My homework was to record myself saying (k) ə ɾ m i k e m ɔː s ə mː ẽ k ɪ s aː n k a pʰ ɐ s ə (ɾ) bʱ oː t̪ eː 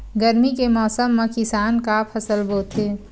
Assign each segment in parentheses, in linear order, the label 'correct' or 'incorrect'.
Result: incorrect: ɡ, incorrect: l

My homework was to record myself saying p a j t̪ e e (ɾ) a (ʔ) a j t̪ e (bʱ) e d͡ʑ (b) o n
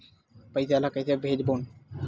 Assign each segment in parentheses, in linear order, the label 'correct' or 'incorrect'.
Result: incorrect: l, incorrect: k, correct, correct

